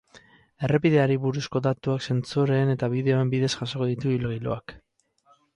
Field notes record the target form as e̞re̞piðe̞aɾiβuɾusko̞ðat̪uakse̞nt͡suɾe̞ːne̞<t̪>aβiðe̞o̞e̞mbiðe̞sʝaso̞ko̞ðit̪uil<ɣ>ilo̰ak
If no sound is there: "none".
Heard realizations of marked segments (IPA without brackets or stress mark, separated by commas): t̪, ɣ